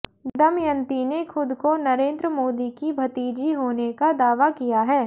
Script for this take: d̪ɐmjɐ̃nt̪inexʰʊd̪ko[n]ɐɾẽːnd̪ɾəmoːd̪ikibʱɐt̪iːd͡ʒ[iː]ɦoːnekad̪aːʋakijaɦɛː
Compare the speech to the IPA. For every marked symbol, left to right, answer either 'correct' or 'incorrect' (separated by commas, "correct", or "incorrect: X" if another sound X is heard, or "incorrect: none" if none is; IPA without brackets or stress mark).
correct, incorrect: i